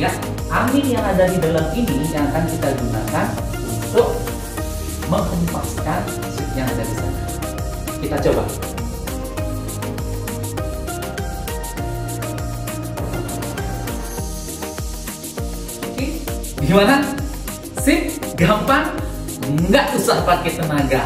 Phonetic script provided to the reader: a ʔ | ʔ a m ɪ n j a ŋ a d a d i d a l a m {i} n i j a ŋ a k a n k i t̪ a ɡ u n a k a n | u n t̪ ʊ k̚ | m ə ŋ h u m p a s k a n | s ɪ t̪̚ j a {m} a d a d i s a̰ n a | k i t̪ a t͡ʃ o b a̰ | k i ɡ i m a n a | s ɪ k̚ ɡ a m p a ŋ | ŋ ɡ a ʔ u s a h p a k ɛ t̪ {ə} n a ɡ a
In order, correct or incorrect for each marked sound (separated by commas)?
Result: correct, incorrect, correct